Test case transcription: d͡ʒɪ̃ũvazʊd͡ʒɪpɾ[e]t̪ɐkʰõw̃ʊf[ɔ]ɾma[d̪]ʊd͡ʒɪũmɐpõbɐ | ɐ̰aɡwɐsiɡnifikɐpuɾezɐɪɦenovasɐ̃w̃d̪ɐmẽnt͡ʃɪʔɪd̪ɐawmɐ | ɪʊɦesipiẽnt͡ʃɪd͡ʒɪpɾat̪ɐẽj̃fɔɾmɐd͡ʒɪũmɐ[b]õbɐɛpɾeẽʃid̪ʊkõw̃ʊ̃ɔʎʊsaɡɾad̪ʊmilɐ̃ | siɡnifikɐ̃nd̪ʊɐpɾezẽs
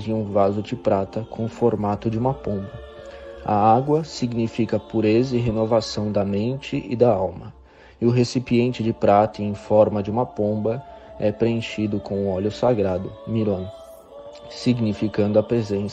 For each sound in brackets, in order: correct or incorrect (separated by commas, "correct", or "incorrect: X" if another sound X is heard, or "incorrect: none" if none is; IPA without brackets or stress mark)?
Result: incorrect: a, incorrect: o, incorrect: t̪, incorrect: p